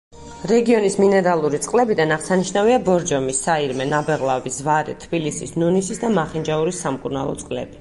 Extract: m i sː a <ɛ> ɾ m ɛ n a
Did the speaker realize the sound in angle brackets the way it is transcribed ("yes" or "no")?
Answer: no